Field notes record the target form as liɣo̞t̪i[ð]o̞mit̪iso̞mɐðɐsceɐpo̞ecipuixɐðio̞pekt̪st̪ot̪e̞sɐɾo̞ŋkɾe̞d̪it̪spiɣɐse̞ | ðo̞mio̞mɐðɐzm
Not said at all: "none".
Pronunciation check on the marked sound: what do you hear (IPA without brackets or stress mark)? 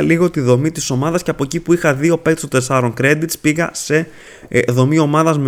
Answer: ð